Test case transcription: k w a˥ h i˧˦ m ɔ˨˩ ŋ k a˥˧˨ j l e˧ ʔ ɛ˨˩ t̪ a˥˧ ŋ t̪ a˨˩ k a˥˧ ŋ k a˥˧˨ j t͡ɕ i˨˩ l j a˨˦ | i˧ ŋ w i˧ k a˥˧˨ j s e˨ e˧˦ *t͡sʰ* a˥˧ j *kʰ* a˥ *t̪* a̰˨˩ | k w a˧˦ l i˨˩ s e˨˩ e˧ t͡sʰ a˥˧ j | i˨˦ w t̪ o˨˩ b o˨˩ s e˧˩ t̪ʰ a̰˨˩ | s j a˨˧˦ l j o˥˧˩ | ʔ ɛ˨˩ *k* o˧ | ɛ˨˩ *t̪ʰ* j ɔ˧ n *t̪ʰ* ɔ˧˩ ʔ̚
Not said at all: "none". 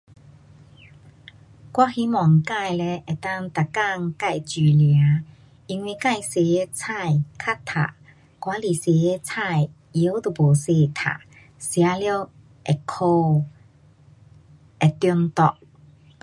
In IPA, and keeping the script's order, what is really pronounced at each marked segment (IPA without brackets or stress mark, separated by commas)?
t͡sʰ, kʰ, t̪ʰ, kʰ, t̪, t̪